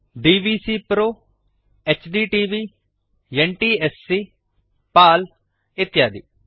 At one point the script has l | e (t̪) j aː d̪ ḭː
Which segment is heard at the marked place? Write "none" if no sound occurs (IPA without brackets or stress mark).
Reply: t̪